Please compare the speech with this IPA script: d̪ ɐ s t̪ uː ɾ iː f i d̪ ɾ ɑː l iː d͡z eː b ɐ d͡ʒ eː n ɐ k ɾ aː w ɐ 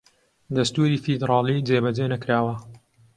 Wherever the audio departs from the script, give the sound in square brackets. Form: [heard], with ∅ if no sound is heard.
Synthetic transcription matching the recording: d̪ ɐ s t̪ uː ɾ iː f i d̪ ɾ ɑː l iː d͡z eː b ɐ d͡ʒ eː n ɐ k ɾ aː w ɐ